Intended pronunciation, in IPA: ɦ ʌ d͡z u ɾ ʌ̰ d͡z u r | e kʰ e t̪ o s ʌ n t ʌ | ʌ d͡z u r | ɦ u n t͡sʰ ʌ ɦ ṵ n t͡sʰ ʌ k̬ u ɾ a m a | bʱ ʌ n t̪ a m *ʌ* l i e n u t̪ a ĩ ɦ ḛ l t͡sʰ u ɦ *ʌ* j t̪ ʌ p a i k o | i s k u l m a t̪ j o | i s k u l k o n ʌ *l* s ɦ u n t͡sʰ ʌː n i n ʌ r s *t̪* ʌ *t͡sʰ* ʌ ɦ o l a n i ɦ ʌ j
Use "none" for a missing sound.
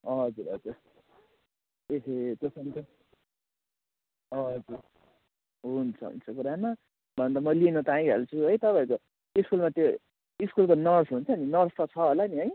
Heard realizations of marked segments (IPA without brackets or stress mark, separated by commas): ʌ, ʌ, r, t̪, t͡sʰ